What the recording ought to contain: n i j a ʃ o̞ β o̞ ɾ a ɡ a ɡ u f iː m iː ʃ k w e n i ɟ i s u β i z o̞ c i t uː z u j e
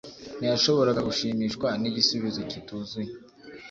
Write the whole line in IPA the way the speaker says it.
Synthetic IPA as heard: n i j a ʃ o̞ β o̞ ɾ a ɡ a ɡ u ʃ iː m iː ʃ k w a n i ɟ i s u β i z o̞ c i t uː z u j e